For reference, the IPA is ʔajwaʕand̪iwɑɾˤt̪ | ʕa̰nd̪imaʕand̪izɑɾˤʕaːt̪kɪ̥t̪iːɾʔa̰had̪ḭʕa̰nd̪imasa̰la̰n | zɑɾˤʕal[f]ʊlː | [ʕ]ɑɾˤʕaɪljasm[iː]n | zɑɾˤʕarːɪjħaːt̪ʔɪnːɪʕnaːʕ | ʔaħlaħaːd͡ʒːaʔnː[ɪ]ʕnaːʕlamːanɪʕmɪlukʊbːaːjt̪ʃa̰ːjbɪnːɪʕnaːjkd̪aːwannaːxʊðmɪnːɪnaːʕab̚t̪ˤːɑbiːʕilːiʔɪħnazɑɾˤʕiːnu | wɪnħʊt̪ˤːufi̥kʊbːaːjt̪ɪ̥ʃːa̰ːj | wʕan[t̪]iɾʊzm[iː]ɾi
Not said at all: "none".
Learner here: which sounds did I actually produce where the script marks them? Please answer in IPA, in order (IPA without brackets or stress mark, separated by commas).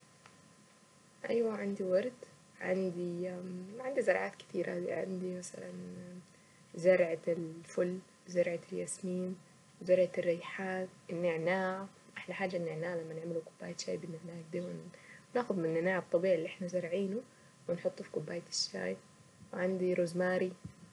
f, z, iː, ɪ, d̪, aː